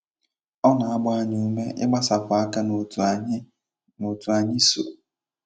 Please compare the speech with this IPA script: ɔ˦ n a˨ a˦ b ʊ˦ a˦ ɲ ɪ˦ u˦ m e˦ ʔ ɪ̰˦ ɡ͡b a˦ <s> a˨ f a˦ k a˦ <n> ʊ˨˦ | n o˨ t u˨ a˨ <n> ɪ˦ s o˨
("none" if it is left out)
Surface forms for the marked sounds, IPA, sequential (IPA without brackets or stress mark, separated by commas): s, n, ɲ